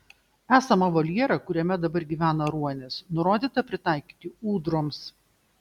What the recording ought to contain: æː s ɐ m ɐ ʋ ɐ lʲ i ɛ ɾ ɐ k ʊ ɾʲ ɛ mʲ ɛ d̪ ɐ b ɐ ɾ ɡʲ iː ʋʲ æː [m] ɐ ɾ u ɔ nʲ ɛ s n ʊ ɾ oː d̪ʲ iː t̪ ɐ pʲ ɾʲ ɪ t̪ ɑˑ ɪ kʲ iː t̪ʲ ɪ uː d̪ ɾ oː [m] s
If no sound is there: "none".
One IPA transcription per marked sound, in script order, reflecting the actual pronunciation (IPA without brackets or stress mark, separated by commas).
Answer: n, m